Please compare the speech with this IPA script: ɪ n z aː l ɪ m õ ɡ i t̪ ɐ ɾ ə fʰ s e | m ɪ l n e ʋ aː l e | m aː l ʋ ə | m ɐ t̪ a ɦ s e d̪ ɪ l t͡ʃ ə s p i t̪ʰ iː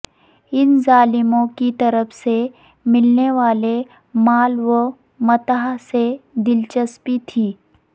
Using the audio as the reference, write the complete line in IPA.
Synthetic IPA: ɪ n z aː l ɪ m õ k i t̪ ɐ ɾ ə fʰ s e | m ɪ l n e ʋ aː l e | m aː l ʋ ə | m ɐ t̪ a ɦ s e d̪ ɪ l t͡ʃ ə s p i t̪ʰ iː